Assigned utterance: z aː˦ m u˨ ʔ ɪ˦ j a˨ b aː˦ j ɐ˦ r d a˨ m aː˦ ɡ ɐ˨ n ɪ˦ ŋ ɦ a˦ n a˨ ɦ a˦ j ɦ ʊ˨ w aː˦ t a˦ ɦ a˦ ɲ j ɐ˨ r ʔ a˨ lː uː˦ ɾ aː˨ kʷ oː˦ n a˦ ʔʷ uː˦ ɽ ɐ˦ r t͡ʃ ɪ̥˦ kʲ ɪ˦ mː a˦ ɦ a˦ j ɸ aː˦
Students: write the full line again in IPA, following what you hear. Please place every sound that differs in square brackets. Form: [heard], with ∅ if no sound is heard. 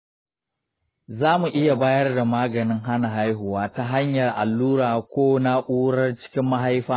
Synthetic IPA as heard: z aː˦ m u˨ ʔ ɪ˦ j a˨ b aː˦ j ɐ˦ r d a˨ m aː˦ ɡ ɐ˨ n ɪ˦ ŋ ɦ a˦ n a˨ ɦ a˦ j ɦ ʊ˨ w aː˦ t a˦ ɦ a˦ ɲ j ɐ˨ r ʔ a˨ lː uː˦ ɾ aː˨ kʷ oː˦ n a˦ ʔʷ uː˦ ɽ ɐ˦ r t͡ʃ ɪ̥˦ kʲ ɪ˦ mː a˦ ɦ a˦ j ɸ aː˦